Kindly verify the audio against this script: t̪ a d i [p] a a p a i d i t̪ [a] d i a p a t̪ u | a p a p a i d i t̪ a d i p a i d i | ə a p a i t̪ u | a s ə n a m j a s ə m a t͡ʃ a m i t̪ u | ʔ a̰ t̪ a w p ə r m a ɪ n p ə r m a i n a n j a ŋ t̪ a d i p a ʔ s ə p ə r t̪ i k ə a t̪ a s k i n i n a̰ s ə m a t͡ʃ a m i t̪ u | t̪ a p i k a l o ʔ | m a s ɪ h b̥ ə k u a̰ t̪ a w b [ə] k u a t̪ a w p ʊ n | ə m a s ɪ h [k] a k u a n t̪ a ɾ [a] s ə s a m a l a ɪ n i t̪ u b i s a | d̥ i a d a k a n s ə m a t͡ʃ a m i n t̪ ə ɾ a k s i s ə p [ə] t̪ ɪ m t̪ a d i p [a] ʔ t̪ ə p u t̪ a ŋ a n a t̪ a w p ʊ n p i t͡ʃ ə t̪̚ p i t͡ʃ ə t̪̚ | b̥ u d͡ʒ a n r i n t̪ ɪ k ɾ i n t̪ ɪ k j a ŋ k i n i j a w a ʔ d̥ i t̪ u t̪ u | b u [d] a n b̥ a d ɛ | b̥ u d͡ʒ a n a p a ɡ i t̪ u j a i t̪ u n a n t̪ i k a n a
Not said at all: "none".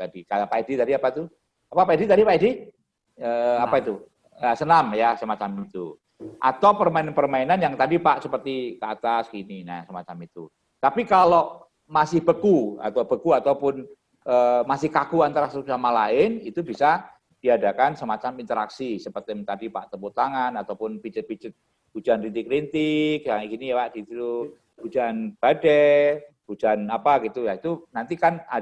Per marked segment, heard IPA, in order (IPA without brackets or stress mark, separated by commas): k, a, ə, k, a, ə, a, d͡ʒ